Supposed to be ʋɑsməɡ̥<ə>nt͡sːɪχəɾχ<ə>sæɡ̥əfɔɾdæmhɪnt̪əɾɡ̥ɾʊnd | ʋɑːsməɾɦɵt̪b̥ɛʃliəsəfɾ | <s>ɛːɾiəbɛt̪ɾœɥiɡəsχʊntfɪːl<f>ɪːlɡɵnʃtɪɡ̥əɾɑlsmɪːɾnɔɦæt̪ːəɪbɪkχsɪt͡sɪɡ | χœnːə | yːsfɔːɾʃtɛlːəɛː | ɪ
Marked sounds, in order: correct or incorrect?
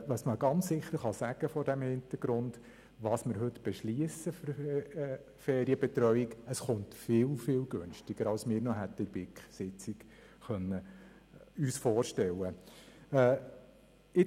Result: incorrect: ɑ, incorrect: ɑ, incorrect: f, correct

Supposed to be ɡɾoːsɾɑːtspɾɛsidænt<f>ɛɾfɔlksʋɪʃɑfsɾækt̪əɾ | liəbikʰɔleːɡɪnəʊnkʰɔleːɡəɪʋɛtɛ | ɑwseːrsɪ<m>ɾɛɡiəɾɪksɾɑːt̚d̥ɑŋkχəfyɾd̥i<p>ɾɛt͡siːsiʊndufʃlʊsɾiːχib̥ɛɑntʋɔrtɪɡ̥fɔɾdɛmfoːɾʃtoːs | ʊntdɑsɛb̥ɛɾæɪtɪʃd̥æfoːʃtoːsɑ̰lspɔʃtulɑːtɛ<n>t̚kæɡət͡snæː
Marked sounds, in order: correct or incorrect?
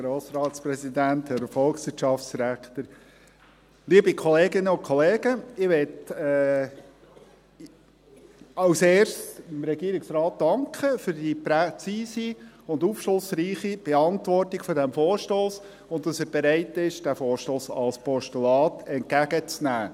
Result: incorrect: h, correct, correct, correct

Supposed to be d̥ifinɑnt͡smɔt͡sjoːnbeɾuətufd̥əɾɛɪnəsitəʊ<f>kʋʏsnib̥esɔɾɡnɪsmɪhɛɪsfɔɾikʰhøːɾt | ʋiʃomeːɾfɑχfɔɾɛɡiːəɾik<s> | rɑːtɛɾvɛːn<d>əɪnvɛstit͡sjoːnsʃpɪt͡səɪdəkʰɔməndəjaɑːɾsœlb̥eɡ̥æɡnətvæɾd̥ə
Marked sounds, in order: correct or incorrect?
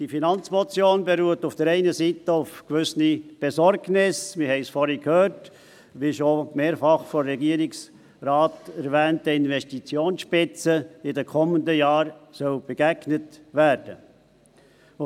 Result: correct, correct, incorrect: t

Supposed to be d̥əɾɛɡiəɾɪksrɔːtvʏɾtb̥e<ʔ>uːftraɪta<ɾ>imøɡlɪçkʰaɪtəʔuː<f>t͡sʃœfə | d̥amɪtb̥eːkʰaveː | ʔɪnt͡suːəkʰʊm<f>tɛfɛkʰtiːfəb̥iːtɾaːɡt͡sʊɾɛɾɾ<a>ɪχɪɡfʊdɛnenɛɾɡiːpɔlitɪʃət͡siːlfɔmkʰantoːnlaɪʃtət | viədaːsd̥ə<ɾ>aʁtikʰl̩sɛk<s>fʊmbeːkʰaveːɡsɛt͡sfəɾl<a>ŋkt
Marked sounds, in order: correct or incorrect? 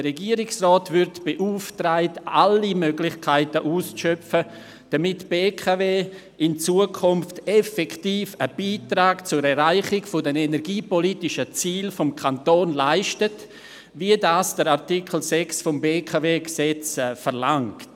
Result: correct, incorrect: l, incorrect: s, correct, correct, correct, correct, correct

